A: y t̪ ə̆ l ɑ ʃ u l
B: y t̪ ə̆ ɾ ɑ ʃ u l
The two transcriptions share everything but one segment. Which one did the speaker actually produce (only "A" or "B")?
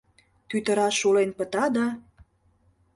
B